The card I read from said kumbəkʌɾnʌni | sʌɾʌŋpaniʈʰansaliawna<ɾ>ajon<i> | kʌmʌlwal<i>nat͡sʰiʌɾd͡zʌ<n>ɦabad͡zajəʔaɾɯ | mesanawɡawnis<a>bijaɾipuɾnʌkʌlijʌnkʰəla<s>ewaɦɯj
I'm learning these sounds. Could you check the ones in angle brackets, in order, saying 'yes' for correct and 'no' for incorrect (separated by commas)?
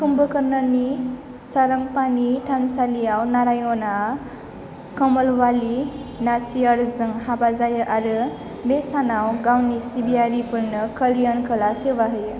yes, no, yes, no, no, yes